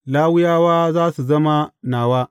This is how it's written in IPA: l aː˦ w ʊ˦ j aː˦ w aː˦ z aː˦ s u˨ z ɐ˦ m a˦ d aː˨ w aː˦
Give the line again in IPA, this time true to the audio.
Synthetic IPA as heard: l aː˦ w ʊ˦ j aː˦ w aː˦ z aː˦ s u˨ z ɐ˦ m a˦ n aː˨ w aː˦